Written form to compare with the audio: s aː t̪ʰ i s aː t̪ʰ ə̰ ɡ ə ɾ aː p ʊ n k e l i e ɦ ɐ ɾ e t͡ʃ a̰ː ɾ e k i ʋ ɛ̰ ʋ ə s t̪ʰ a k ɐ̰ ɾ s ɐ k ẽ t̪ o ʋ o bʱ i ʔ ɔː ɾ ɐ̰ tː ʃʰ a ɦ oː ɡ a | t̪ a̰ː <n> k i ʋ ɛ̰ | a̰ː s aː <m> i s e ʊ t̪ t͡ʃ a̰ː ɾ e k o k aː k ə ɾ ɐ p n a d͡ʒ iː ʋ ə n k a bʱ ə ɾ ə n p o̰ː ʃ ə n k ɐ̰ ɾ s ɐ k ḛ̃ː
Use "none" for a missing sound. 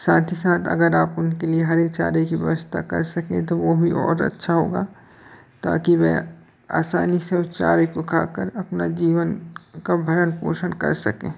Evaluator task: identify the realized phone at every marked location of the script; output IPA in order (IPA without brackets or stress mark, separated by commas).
none, n